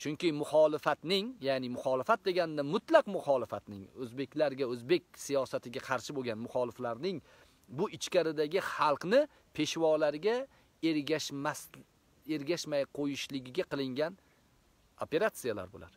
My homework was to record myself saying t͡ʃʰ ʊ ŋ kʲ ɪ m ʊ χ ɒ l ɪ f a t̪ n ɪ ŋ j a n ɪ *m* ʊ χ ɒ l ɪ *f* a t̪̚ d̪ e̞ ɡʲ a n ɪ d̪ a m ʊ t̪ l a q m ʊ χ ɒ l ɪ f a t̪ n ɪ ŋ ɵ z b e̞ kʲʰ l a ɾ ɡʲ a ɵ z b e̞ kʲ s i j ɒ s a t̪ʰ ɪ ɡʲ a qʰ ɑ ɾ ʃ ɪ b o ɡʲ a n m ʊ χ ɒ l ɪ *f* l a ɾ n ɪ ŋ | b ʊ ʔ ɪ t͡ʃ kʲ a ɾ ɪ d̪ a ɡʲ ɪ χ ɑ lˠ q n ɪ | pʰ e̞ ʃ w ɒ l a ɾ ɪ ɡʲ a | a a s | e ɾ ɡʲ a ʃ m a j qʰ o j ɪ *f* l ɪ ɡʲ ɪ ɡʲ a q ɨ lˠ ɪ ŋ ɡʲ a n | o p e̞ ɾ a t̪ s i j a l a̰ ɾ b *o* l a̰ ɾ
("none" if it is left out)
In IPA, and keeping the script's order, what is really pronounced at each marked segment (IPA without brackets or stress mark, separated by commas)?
m, f, f, ʃ, o